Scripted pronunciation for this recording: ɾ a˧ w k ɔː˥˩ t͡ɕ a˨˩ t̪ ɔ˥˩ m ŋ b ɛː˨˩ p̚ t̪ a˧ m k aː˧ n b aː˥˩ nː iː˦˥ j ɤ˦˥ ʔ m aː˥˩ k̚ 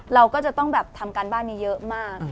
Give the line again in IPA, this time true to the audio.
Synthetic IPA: ɾ a˧ w k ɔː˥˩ t͡ɕ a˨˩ t̪ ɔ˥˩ ŋ b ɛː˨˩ p̚ t̪ʰ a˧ m k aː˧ n b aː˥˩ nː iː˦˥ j ɤ˦˥ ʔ m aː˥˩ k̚

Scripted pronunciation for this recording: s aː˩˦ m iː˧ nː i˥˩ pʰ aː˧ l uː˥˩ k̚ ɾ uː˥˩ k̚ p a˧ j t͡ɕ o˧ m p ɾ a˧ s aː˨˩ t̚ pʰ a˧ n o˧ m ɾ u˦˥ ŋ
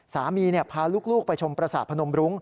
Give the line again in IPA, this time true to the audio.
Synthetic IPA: s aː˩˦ m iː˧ n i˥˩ pʰ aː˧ l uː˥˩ k̚ l uː˥˩ k̚ p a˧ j t͡ɕʰ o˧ m p ɾ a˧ s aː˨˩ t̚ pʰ a˧ n o˧ m ɾ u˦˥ ŋ

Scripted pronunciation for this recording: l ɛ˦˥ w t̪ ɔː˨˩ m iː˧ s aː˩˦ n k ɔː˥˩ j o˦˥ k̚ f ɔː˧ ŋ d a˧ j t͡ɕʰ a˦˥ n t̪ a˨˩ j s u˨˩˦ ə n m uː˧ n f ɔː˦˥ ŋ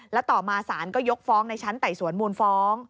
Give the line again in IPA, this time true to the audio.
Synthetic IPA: l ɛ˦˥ w t̪ ɔː˨˩ m aː˧ s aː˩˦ n k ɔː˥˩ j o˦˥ k̚ f ɔː˦˥ ŋ n a˧ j t͡ɕʰ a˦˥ n t̪ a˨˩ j s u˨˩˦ ə n m uː˧ n f ɔː˦˥ ŋ

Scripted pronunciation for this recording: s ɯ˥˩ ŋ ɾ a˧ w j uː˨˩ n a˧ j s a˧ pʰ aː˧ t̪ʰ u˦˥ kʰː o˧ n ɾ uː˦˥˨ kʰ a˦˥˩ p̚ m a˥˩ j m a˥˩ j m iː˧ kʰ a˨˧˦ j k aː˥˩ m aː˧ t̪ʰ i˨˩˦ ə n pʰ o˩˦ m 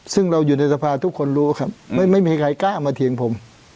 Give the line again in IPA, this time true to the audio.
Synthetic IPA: s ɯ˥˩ ŋ ɾ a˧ w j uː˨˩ n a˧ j s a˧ pʰ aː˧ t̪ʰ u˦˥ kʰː o˧ n ɾ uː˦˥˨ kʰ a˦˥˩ p̚ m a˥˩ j m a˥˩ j m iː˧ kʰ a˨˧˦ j k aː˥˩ m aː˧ t̪ʰ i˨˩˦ ə ŋ pʰ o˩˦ m

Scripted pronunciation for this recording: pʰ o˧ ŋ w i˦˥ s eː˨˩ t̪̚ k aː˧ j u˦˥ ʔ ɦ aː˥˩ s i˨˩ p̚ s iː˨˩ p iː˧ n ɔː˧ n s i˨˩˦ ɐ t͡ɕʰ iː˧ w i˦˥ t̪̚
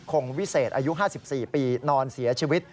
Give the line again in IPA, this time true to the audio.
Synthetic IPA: kʰ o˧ ŋ w i˦˥ s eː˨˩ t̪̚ ʔ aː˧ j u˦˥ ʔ ɦ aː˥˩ s i˨˩ p̚ s iː˨˩ p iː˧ n ɔː˧ n s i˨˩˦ ɐ t͡ɕʰ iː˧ w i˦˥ t̪̚

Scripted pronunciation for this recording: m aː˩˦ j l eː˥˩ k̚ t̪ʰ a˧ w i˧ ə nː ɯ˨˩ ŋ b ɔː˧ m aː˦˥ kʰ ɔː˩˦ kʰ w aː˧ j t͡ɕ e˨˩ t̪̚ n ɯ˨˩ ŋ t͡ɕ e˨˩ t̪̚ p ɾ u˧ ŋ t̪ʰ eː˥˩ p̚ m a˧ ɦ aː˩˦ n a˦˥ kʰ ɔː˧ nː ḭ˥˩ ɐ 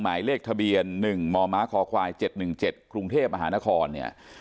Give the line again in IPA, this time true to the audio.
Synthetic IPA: m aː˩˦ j l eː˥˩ k̚ t̪ʰ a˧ b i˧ ə nː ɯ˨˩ ŋ m ɔː˧ m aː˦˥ kʰ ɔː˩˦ kʰ w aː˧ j t͡ɕ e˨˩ t̪̚ n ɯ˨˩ ŋ t͡ɕ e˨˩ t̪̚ k ɾ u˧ ŋ t̪ʰ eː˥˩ p̚ m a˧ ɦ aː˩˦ n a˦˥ kʰ ɔː˧ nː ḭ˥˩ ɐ

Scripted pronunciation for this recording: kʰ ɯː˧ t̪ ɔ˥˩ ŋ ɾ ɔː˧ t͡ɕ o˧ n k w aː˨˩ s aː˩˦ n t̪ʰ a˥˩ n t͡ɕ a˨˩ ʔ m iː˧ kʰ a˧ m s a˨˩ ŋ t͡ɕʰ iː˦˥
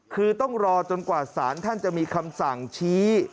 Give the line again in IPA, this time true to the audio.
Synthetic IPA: kʰ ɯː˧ t̪ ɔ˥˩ ŋ ɾ ɔː˧ t͡ɕ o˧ n k w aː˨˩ s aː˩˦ n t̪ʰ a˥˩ n t͡ɕ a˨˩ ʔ m iː˧ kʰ a˧ m s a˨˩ ŋ t͡ɕʰ iː˦˥

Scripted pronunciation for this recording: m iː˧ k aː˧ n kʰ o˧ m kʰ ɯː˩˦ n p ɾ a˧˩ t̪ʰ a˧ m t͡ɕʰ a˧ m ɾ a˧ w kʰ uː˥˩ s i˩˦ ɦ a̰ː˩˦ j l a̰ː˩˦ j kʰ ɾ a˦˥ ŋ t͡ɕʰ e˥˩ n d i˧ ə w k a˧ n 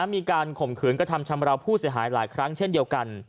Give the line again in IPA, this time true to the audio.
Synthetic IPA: m iː˧ k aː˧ n kʰ o˨˩ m kʰ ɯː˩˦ n k ɾ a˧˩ t̪ʰ a˧ m t͡ɕʰ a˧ m ɾ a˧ w pʰ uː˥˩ s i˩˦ ɦ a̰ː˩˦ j l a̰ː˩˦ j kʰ ɾ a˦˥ ŋ t͡ɕʰ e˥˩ n d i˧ ə w k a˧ n

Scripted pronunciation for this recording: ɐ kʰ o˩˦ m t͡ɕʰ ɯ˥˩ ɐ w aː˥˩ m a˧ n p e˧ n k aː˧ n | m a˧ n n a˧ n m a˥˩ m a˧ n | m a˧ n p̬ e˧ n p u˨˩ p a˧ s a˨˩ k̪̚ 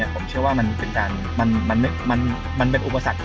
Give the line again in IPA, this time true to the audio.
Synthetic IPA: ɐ pʰ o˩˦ m t͡ɕʰ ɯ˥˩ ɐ w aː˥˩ m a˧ n p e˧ n k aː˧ n | m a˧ n m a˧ n m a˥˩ m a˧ n | m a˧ n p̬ e˧ n ʔ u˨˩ p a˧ s a˨˩ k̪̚

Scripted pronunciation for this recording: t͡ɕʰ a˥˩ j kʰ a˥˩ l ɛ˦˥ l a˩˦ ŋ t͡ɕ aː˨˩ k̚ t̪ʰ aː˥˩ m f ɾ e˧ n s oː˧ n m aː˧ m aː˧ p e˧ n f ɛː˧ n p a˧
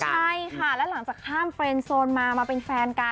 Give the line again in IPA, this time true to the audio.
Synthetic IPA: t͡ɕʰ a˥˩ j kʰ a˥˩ l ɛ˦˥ l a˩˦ ŋ t͡ɕ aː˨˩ k̚ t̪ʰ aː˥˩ m f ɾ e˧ n s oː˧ n m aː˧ m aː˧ p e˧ n f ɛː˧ n k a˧

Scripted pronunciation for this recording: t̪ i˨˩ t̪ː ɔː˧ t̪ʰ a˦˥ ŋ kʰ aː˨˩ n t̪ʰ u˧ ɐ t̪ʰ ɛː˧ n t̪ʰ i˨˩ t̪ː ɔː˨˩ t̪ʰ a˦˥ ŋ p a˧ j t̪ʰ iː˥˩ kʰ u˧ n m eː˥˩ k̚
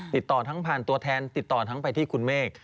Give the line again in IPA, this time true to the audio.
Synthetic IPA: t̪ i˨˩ t̪ː ɔː˨˩ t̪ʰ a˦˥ ŋ pʰ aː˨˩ n t̪ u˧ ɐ t̪ʰ ɛː˧ n t̪ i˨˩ t̪ː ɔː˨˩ t̪ʰ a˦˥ ŋ p a˧ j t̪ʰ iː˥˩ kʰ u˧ n m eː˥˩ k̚

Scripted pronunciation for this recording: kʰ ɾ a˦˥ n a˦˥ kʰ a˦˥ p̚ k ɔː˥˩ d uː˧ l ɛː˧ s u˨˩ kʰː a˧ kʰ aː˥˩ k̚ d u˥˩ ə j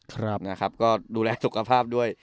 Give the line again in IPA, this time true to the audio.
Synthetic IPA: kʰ ɾ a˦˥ n a˦˥ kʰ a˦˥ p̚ k ɔː˥˩ d uː˧ l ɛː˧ s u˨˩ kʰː a˧ pʰ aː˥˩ p̚ d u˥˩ ə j

